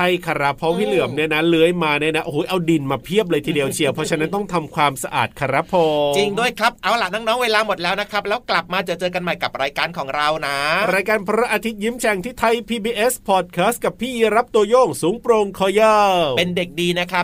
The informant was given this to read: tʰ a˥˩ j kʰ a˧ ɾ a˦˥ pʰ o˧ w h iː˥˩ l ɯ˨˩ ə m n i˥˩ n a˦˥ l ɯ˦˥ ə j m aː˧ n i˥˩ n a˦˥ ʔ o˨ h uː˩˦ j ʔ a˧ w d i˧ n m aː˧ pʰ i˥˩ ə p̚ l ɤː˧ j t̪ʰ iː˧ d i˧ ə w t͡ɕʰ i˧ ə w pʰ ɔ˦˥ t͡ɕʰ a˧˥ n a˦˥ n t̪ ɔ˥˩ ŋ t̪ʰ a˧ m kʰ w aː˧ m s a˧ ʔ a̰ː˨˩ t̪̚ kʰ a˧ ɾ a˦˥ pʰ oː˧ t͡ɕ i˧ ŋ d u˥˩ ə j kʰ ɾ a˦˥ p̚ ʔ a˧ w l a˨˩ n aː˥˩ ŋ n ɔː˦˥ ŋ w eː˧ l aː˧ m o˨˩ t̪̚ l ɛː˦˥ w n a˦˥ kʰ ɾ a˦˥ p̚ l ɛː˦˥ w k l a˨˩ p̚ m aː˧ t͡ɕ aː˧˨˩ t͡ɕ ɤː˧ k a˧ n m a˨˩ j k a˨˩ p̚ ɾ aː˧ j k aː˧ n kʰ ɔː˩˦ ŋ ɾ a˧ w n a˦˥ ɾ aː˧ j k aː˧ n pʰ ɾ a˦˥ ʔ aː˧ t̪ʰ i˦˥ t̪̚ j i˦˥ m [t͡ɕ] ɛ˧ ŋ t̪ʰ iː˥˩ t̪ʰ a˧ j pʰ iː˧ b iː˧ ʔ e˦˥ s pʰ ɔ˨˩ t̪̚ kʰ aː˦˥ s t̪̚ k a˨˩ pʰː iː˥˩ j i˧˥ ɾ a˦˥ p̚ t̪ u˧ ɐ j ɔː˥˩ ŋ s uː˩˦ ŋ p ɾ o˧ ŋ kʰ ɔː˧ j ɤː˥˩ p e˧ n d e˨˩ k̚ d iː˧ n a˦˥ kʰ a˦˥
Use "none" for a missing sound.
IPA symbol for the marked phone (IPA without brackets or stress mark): t͡ɕʰ